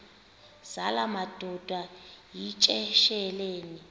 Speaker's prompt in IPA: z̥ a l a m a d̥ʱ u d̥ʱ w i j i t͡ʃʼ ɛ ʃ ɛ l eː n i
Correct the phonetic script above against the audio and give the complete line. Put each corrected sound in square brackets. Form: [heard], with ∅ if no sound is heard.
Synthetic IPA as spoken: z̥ a l a m a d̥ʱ [ɔ] d̥ʱ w [a] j i t͡ʃʼ ɛ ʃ ɛ l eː n i